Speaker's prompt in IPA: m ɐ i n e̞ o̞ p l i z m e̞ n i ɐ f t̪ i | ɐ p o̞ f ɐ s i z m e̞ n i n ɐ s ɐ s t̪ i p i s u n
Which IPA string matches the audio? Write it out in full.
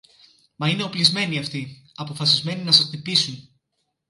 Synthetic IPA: m ɐ i n e̞ o̞ p l i z m e̞ n i ɐ f t̪ i | ɐ p o̞ f ɐ s i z m e̞ n i n ɐ s ɐ s t̪ i p i s u n

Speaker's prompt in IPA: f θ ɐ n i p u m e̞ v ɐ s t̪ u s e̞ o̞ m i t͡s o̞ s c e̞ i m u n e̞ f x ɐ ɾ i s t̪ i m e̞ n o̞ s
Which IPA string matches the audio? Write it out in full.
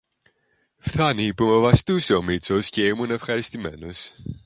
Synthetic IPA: f θ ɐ n i p u m e̞ v ɐ s t̪ u s e̞ o̞ m i t͡s o̞ s c e̞ i m u n e̞ f x ɐ ɾ i s t̪ i m e̞ n o̞ s

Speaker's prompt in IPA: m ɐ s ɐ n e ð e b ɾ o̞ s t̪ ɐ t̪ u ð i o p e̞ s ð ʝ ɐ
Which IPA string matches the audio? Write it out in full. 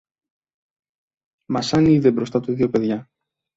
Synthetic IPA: m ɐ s ɐ n i ð e b ɾ o̞ s t̪ ɐ t̪ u ð i o p e̞ ð ʝ ɐ

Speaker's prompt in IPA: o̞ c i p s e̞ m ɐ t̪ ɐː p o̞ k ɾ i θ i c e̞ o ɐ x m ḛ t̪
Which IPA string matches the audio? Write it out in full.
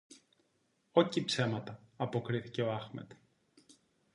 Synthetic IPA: o̞ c i p s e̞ m ɐ t̪ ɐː p o̞ k ɾ i θ i c e̞ o ɐ x m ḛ t̪

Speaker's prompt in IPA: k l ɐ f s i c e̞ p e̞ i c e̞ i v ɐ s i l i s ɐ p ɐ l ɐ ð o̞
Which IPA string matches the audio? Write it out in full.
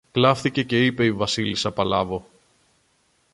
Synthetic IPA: k l ɐ f θ i c e̞ c e̞ i p e̞ i v ɐ s i l i s ɐ p ɐ l ɐ v o̞

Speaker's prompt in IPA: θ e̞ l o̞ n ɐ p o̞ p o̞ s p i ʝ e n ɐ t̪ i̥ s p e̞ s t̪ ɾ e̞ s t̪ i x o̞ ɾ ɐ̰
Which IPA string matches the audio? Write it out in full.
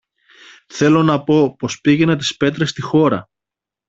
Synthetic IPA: θ e̞ l o̞ n ɐ p o̞ p o̞ s p i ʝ e n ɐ t̪ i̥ s p e̞ t̪ ɾ e̞ s t̪ i x o̞ ɾ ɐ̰

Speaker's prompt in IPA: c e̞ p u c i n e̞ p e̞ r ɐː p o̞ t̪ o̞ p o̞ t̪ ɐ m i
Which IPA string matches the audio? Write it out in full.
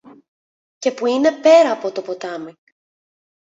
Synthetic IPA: c e̞ p u i n e̞ p e̞ ɾ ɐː p o̞ t̪ o̞ p o̞ t̪ ɐ m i

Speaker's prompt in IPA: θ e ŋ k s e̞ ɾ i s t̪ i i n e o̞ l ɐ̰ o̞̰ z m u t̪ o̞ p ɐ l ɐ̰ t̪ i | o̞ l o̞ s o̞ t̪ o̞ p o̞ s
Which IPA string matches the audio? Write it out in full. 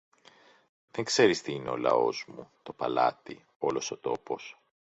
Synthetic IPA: ð e ŋ k s e̞ ɾ i s t̪ i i n e o̞ l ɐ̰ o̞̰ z m u t̪ o̞ p ɐ l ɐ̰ t̪ i | o̞ l o̞ s o̞ t̪ o̞ p o̞ s

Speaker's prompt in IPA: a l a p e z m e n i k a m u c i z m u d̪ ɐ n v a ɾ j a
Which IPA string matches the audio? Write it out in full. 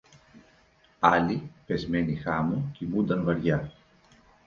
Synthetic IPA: a l i p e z m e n i x a m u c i m u d̪ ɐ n v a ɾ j a

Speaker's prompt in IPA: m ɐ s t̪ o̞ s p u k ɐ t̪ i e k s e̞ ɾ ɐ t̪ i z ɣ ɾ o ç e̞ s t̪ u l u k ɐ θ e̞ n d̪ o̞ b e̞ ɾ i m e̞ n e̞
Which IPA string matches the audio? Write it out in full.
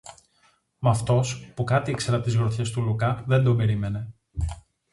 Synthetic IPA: m ɐ f t̪ o̞ s p u k ɐ t̪ i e k s e̞ ɾ ɐ t̪ i z ɣ ɾ o ç e̞ s t̪ u l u k ɐ ð e̞ n d̪ o̞ b e̞ ɾ i m e̞ n e̞

